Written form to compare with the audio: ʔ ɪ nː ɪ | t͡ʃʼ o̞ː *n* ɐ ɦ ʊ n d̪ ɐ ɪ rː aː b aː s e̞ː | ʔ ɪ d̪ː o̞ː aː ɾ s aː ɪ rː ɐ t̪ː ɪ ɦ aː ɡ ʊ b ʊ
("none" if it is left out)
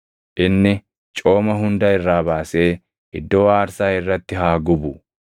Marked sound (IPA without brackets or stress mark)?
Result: m